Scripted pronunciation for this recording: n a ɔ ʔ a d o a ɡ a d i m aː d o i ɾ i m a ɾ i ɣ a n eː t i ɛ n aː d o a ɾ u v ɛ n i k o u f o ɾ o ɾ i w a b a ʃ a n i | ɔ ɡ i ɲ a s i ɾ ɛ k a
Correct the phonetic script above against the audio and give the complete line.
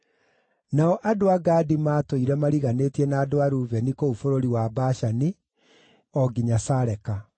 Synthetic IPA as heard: n a ɔ ʔ a d o a ɡ a d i m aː t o i ɾ ɛ m a ɾ i ɣ a n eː t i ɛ n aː d o a ɾ u v ɛ n i k o u f o ɾ o ɾ i w a b a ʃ a n i | ɔ ɡ i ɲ a s a ɾ ɛ k a

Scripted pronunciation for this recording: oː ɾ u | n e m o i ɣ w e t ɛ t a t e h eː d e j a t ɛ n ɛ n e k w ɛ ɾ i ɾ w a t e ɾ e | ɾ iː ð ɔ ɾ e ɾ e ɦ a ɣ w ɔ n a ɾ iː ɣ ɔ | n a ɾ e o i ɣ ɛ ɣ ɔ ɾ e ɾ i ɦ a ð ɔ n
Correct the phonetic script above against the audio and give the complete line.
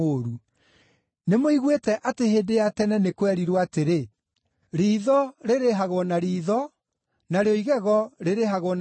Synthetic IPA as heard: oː ɾ u | n e m o i ɣ w e t ɛ ʔ a t e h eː d e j a t ɛ n ɛ n e k w ɛ ɾ i ɾ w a t e ɾ e | ɾ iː ð ɔ ɾ e ɾ e ɦ a ɣ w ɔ n a ɾ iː ð ɔ | n a ɾ e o i ɣ ɛ ɣ ɔ ɾ e ɾ e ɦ a ɣ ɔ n

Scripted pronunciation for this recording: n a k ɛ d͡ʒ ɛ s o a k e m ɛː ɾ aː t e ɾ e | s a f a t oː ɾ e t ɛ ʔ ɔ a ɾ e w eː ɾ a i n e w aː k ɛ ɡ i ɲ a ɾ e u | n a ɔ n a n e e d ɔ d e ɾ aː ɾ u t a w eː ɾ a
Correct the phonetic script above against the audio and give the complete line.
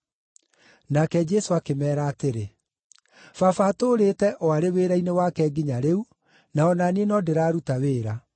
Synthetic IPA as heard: n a k ɛ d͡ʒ ɛ s o a k e m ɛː ɾ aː t e ɾ e | f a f a t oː ɾ e t ɛ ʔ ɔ a ɾ e w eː ɾ a i n e w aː k ɛ ɡ i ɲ a ɾ e u | n a ɔ n a n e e n ɔ d e ɾ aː ɾ u t a w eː ɾ a

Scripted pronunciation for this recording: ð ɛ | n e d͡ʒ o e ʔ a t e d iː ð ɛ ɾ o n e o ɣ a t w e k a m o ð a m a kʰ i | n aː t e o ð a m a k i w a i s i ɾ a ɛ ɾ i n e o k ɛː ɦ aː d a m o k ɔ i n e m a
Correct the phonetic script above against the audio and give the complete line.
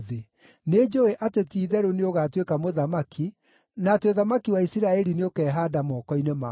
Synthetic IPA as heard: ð e | n e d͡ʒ o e ʔ a t e t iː ð ɛ ɾ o n e o ɣ a t w e k a m o ð a m a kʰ i | n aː t e o ð a m a k i w a i s i ɾ a ɛ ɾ i n e o k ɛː ɦ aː d a m ɔ k ɔ i n e m a

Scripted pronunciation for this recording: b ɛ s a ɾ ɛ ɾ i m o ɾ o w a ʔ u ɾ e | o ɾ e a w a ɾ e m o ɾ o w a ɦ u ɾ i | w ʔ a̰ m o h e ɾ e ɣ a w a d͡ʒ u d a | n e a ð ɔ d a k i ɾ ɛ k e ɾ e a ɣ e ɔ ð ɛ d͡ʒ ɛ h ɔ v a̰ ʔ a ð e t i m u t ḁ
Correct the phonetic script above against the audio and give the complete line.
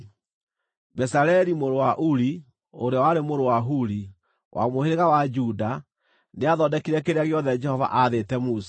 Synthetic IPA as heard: b ɛ s a ɾ ɛ ɾ i m o ɾ o w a ʔ u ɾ i | o ɾ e a w a ɾ e m o ɾ o w a ɦ u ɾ i | w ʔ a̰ m o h e ɾ e ɣ a w a d͡ʒ u d a | n e a ð ɔ d ɛ k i ɾ ɛ k e ɾ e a ɣ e ɔ ð ɛ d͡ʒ ɛ h ɔ v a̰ ʔ a ð e t ɛ m u s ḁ

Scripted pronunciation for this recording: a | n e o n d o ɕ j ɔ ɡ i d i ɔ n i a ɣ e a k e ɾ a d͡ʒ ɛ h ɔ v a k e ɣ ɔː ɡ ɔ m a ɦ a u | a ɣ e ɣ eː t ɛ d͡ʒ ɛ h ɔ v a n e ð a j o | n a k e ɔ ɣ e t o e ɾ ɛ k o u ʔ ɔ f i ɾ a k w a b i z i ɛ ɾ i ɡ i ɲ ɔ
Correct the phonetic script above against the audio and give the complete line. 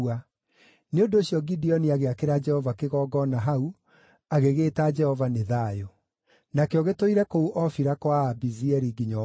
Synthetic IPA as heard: a | n e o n d o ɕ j ɔ ɡ i d i ɔ n i a ɣ e a k e ɾ a d͡ʒ ɛ h ɔ v a k e ɣ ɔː ɡ ɔ n a ɦ a u | a ɣ e ɣ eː t a d͡ʒ ɛ h ɔ v a n e ð a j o | n a k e ɔ ɣ e t o i ɾ ɛ k o u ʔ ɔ f i ɾ a k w a b i z i ɛ ɾ i ɡ i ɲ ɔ

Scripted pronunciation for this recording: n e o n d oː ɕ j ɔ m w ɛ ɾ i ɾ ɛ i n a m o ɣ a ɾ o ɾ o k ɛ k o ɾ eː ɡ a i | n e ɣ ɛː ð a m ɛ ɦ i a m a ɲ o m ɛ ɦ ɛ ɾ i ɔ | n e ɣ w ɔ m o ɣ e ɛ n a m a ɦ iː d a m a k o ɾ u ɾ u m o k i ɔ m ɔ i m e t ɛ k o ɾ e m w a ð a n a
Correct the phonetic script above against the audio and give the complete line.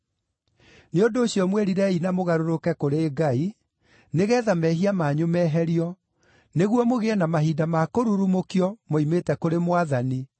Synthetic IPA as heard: n e o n d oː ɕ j ɔ m w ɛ ɾ i ɾ ɛ i n a m o ɣ a ɾ o ɾ o k ɛ k o ɾ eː ɡ a i | n e ɣ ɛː ð a m ɛ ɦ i a m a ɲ o m ɛ ɦ ɛ ɾ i ɔ | n e ɣ w ɔ m o ɣ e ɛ n a m a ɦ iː d a m a k o ɾ u ɾ u m o k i ɔ m o i m e t ɛ k o ɾ e m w a ð a n i

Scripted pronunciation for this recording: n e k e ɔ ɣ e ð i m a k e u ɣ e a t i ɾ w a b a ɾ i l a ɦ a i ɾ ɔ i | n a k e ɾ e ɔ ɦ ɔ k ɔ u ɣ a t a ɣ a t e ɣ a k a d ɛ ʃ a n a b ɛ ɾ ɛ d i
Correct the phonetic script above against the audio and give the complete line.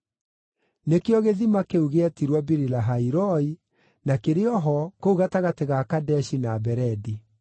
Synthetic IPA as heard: n e k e ɔ ɣ e ð i m a k e u ɣ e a t i ɾ w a b i ɾ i l a ɦ a i ɾ ɔ i | n a k e ɾ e ɔ ɦ ɔ k o u ɣ a t a ɣ a t e ɣ a k a d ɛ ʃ i n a b ɛ ɾ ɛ d i

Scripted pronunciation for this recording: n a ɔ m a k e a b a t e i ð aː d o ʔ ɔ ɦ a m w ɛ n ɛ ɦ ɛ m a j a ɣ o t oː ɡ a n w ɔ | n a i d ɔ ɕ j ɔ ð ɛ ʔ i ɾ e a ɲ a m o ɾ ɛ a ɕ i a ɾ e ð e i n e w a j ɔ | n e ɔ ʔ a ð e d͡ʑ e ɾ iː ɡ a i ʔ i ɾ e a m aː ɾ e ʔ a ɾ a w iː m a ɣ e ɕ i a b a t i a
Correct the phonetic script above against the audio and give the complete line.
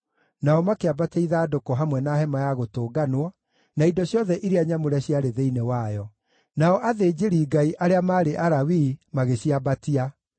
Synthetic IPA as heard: n a ɔ m a k e a b a t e i ð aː d o k ɔ ɦ a m w ɛ n a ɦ ɛ m a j a ɣ o t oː ɡ a n w ɔ | n a i d ɔ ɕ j ɔ ð ɛ ʔ i ɾ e a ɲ a m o ɾ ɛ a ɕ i a ɾ e ð e i n e w a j ɔ | n a ɔ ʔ a ð e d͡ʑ e ɾ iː ɡ a i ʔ a ɾ e a m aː ɾ e ʔ a ɾ a w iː m a ɣ e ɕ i a b a t i a

